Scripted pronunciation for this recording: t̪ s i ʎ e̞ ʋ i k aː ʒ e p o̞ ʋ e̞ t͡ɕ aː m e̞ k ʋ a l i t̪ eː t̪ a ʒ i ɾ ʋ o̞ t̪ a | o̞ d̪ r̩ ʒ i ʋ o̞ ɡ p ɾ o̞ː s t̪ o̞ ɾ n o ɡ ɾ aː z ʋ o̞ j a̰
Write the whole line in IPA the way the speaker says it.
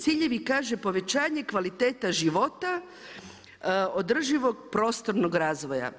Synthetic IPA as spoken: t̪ s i ʎ e̞ ʋ i k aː ʒ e p o̞ ʋ e̞ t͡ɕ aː ɲ e̞ k ʋ a l i t̪ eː t̪ a ʒ i ʋ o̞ t̪ a | o̞ d̪ r̩ ʒ i ʋ o̞ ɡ p ɾ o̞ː s t̪ o̞ ɾ n o ɡ ɾ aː z ʋ o̞ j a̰